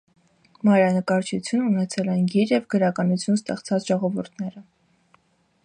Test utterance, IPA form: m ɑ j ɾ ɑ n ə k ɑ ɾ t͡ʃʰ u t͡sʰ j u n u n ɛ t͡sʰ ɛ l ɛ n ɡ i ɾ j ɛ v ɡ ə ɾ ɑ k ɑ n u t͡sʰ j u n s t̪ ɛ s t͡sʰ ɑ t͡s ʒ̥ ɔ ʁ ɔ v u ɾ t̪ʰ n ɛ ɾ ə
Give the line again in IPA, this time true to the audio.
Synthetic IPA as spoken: m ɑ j ɾ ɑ n ə k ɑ ɾ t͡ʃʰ u t͡sʰ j u n u n ɛ t͡sʰ ɛ l ɛ n ɡ i ɾ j ɛ v ɡ ə ɾ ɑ k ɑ n u t͡sʰ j u n s t̪ ɛ χ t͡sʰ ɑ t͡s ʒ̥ ɔ ʁ ɔ v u ɾ t̪ʰ n ɛ ɾ ə